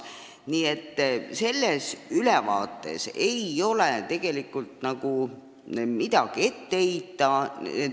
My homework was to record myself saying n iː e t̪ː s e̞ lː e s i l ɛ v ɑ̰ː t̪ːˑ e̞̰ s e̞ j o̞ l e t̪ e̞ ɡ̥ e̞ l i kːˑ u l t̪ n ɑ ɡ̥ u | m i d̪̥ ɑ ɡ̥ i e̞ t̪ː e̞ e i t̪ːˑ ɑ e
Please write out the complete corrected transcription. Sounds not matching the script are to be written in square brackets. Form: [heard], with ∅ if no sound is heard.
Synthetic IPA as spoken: n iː e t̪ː s e̞ lː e s [y] l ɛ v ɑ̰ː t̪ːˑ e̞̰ s e̞ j o̞ l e t̪ e̞ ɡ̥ e̞ l i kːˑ u l t̪ n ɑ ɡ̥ u | m i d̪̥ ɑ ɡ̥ i e̞ t̪ː e̞ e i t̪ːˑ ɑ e